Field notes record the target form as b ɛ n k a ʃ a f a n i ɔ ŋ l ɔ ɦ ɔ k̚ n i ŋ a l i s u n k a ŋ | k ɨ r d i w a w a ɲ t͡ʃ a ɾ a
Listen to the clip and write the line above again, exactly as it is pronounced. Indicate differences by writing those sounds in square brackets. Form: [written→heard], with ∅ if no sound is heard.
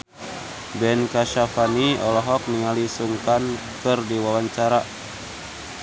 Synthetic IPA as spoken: b ɛ n k a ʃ a f a n i ɔ [ŋ→∅] l ɔ ɦ ɔ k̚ n i ŋ a l i s u [n→ŋ] k a [ŋ→n] | k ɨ r d i w a w a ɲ t͡ʃ a ɾ a